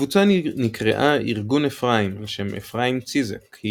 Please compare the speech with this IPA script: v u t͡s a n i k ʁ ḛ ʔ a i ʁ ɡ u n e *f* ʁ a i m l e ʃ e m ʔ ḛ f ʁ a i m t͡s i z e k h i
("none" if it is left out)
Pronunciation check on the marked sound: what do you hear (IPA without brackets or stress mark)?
f